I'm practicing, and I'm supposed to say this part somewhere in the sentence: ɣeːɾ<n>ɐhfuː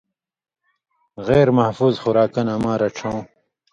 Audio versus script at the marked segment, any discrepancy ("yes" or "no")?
yes